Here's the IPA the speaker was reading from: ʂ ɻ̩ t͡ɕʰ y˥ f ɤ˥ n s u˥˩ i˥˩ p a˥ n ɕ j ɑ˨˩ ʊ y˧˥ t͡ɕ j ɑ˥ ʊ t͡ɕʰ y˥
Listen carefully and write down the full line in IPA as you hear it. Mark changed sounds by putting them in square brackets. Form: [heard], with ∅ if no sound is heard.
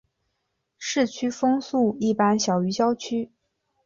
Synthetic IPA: ʂ ɻ̩ t͡ɕʰ y˥ f ɤ˥ [ŋ] s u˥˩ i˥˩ p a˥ n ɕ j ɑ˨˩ ʊ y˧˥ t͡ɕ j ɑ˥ ʊ t͡ɕʰ y˥